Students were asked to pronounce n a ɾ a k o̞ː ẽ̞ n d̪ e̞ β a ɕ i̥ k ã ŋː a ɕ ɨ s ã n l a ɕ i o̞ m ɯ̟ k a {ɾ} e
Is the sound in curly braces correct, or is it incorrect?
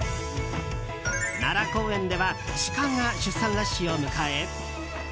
incorrect